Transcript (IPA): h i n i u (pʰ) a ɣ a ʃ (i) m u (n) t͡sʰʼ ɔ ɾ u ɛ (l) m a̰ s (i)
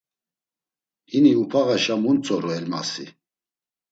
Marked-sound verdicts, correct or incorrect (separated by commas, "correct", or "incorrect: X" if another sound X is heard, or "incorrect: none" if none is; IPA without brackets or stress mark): correct, incorrect: a, correct, correct, correct